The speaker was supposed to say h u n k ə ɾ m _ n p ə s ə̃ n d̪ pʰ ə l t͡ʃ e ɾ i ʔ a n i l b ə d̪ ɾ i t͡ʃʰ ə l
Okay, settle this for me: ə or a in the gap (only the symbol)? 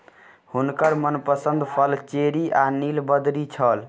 ə